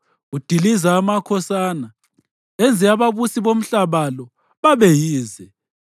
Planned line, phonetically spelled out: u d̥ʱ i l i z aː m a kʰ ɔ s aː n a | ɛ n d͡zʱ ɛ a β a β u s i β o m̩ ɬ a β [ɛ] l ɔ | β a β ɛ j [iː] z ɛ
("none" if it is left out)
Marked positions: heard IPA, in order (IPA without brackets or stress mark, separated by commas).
a, iː